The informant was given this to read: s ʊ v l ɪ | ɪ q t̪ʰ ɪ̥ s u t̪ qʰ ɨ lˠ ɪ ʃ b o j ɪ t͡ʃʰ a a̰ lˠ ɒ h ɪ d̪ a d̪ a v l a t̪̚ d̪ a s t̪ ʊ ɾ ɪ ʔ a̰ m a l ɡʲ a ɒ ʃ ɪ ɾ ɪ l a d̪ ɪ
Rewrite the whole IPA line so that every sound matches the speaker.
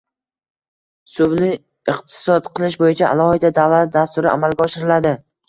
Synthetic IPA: s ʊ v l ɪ | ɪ q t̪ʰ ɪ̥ s ɒ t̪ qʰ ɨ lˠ ɪ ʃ b o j ɪ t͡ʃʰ a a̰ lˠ ɒ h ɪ d̪ a d̪ a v l a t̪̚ d̪ a s t̪ ʊ ɾ ɪ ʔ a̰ m a l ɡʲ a ɒ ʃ ɪ ɾ ɪ l a d̪ ɪ